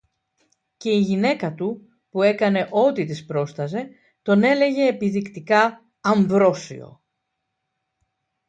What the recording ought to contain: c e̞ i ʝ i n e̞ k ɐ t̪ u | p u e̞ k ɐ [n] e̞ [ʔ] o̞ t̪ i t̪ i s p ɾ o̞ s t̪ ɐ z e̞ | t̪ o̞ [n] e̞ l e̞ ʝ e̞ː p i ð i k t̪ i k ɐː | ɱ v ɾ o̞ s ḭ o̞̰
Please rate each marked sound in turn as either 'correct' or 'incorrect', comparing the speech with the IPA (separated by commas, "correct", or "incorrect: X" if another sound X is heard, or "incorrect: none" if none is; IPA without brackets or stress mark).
correct, correct, correct